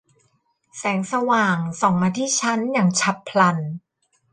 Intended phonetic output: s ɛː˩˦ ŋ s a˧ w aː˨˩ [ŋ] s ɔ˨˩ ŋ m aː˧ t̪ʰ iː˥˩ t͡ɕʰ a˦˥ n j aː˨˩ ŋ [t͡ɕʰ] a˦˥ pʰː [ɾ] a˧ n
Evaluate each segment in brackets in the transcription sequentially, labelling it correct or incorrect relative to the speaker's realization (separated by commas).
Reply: correct, correct, incorrect